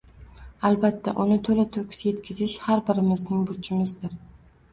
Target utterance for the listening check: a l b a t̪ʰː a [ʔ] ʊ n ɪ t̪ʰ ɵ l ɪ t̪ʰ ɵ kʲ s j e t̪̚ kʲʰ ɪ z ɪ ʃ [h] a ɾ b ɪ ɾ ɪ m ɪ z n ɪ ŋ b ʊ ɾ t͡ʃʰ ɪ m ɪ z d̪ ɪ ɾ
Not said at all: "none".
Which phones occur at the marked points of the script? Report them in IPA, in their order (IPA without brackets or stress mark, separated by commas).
ʔ, h